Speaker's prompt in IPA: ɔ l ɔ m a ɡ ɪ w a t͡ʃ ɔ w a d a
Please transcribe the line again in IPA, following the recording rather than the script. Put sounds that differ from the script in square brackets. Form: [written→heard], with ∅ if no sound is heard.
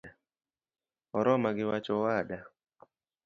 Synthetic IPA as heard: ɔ [l→ɾ] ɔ m a ɡ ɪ w a t͡ʃ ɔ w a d a